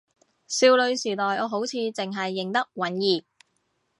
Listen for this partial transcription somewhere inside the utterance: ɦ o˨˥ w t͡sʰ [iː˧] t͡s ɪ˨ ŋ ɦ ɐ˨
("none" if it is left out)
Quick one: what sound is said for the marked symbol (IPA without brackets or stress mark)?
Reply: iː˧